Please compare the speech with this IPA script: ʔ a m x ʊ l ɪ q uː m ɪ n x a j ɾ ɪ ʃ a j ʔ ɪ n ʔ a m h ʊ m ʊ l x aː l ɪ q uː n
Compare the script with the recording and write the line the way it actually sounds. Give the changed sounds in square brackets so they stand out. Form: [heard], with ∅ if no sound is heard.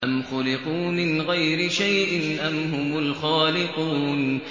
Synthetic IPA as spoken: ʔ a m x ʊ l ɪ q uː m ɪ n [ɣ] a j ɾ ɪ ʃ a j ʔ ɪ n ʔ a m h ʊ m ʊ l x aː l ɪ q uː n